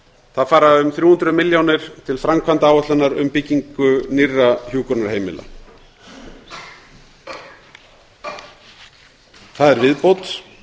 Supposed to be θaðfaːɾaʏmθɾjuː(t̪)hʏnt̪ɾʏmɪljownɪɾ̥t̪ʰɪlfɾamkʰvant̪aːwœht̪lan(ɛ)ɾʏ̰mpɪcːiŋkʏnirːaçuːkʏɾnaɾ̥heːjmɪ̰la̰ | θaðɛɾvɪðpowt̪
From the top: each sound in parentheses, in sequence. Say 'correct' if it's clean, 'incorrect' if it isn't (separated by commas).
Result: incorrect, incorrect